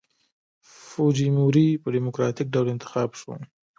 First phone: f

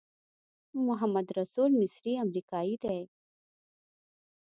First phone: m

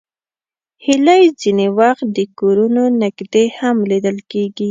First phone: h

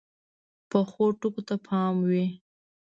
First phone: p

